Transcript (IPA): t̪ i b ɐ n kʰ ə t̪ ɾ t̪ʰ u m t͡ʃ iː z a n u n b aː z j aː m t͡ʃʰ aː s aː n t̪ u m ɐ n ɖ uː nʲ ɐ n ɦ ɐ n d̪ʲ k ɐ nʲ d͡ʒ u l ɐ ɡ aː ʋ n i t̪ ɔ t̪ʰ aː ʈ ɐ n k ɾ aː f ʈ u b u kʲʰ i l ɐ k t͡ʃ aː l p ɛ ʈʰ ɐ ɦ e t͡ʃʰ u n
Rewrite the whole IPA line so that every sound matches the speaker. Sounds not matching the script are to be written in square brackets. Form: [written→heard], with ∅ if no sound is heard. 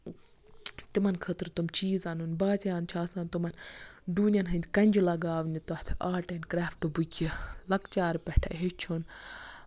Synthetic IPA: t̪ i [b→m] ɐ n kʰ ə t̪ ɾ [t̪ʰ→t̪] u m t͡ʃ iː z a n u n b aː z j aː [m→n] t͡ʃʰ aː s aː n t̪ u m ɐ n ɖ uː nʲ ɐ n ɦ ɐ n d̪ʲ k ɐ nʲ d͡ʒ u l ɐ ɡ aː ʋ n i t̪ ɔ t̪ʰ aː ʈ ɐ n k ɾ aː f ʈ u b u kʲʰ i l ɐ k t͡ʃ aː [l→ɾ] p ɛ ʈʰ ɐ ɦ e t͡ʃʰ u n

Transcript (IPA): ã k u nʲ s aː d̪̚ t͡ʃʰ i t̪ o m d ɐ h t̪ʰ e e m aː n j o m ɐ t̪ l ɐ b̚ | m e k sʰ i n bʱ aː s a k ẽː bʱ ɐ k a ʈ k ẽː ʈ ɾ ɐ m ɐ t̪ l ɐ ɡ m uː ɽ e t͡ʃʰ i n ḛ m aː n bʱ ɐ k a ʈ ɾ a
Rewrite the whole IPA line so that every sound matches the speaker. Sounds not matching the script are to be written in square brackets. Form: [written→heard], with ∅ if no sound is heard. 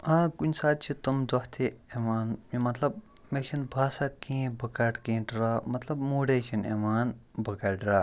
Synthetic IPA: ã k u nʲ s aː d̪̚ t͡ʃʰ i t̪ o m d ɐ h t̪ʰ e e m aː n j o m ɐ t̪ l ɐ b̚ | m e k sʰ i n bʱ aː s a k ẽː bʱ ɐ k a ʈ k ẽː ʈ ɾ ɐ m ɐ t̪ l ɐ [ɡ→b] m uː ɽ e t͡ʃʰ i n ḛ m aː n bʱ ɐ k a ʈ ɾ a

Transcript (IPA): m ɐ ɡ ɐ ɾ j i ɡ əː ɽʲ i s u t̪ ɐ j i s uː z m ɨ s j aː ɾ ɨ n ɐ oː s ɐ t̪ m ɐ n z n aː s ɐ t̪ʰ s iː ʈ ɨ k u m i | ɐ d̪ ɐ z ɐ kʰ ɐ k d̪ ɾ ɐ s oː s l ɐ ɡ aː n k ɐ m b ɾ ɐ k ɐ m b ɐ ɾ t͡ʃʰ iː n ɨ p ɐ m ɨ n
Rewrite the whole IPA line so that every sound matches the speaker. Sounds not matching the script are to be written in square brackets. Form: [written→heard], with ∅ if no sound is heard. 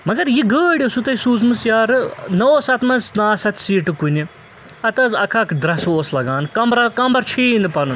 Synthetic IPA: m ɐ ɡ ɐ ɾ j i ɡ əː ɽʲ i s u t̪ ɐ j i s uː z m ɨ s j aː ɾ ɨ n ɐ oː s ɐ t̪ m ɐ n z n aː s ɐ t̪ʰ s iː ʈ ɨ k u [m→n] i | ɐ [d̪→t̪] ɐ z ɐ kʰ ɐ k d̪ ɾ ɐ s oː s l ɐ ɡ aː n k ɐ m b ɾ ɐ k ɐ m b ɐ ɾ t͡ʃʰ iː n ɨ p ɐ [m→n] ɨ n

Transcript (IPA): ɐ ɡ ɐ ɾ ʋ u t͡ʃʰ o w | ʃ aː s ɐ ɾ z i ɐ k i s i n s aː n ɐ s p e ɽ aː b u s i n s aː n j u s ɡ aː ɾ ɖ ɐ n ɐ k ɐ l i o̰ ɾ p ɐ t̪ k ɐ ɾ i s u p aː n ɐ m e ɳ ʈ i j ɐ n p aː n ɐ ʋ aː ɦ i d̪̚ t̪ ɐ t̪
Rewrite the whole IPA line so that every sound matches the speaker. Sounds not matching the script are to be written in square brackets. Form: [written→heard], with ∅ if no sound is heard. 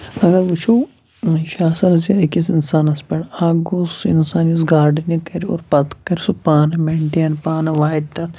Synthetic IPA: ɐ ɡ ɐ ɾ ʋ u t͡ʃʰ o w | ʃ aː s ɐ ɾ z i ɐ k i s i n s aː n ɐ s p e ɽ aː [b→ɡ] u s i n s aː n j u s ɡ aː ɾ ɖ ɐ n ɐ k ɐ [l→ɾ] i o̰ ɾ p ɐ t̪ k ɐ ɾ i s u p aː n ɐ m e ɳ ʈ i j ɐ n p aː n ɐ ʋ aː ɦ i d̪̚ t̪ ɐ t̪

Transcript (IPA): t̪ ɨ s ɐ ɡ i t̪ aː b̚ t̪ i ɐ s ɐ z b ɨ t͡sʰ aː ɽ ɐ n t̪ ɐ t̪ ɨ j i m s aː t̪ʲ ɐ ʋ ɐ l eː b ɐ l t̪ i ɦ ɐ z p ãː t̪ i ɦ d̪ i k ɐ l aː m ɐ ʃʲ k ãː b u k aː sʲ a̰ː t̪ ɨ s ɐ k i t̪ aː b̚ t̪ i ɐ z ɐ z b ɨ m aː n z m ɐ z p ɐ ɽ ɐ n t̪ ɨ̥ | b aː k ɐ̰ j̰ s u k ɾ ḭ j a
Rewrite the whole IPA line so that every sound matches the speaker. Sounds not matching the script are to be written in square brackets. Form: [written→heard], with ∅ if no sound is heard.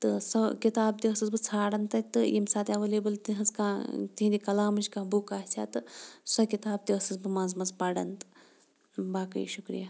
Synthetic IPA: t̪ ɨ s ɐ [ɡ→k] i t̪ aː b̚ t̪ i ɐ s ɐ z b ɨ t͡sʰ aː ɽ ɐ n t̪ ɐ t̪ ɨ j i m s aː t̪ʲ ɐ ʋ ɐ l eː b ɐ l t̪ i ɦ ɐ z [p→k] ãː t̪ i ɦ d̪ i k ɐ l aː m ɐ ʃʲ k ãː b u k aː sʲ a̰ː t̪ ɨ s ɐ k i t̪ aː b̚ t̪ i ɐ [z→s] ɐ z b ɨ m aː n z m ɐ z p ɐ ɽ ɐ n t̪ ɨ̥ | b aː k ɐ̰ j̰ [s→ʃ] u k ɾ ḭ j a

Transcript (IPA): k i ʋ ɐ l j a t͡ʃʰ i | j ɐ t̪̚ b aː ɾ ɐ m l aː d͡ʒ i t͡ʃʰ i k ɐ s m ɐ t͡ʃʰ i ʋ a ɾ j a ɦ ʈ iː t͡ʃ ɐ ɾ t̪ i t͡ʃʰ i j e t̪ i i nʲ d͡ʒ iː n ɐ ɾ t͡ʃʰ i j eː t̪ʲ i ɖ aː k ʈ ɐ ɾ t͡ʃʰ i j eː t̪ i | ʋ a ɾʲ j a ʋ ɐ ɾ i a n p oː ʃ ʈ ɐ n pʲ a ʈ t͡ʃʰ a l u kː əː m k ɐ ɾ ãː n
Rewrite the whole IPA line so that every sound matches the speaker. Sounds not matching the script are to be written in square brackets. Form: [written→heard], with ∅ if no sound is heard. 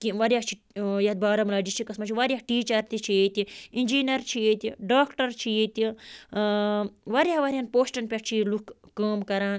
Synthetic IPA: k i ʋ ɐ [l→ɾ] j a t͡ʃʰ i | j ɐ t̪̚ b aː ɾ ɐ m l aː d͡ʒ i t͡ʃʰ i k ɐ s m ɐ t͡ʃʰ i ʋ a ɾ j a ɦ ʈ iː t͡ʃ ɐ ɾ t̪ i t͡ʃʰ i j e t̪ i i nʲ d͡ʒ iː n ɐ ɾ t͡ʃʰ i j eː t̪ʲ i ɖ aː k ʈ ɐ ɾ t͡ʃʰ i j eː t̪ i | ʋ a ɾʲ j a ʋ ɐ ɾ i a n p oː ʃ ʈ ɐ n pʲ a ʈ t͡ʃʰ [a→i] l u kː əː m k ɐ ɾ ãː n

